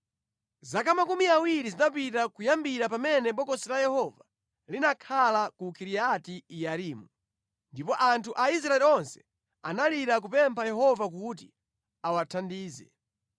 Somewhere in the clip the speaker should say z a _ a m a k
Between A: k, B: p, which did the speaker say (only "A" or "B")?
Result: A